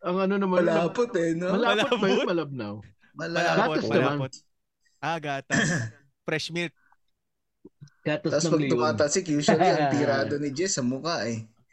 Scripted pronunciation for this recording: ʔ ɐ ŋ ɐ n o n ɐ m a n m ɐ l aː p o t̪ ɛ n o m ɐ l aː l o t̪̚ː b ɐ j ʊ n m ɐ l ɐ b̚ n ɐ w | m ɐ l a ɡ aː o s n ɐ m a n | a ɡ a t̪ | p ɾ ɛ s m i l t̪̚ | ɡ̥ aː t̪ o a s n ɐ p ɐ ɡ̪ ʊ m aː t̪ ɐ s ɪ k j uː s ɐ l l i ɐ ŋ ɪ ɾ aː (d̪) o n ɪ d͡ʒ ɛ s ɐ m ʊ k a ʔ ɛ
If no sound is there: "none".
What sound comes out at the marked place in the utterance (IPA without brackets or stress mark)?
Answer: d̪